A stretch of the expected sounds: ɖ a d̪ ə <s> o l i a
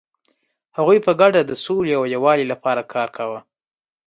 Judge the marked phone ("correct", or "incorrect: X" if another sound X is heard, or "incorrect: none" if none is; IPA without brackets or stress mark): correct